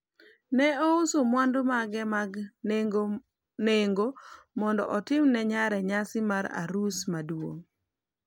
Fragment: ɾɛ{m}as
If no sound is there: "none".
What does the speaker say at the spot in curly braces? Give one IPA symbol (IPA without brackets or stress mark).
ɲ